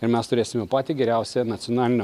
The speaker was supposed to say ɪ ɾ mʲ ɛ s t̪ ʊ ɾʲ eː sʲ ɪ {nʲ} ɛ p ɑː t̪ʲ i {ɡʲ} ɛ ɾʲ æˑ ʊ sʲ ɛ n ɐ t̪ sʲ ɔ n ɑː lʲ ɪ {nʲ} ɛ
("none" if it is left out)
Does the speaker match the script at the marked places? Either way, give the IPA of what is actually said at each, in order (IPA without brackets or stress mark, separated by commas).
mʲ, ɡʲ, nʲ